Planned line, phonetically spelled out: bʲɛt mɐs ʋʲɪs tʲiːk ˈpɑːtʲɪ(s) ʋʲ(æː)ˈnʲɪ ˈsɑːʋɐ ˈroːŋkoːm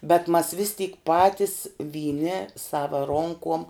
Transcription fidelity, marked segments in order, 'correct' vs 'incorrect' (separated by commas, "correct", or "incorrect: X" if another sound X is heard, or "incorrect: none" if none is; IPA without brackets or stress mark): correct, incorrect: iː